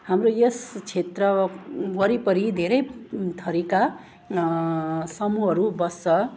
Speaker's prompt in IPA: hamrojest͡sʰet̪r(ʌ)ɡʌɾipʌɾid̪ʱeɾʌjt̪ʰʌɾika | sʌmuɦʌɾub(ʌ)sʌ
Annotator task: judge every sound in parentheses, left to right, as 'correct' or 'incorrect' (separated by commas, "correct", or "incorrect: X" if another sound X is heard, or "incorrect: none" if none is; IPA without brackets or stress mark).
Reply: correct, correct